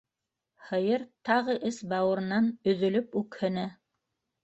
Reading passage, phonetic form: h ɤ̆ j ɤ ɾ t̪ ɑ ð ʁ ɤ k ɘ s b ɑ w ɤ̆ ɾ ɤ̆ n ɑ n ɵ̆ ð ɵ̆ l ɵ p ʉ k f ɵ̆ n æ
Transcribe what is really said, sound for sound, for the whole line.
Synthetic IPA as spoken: h ɤ̆ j ɤ ɾ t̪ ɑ ʁ ɤ ʔ ɘ s b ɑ w ɤ̆ ɾ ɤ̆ n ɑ n ɵ̆ ð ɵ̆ l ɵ p ʉ k h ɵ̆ n æ